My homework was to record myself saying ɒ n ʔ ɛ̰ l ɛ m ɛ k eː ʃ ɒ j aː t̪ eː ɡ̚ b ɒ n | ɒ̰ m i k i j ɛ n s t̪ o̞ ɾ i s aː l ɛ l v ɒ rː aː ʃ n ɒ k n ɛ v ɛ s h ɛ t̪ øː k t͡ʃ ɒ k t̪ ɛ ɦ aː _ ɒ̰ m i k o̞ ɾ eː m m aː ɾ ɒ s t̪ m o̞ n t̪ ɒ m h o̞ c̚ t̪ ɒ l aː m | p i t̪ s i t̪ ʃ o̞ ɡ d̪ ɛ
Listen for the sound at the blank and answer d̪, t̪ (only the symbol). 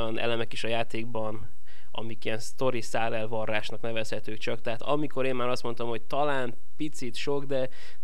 t̪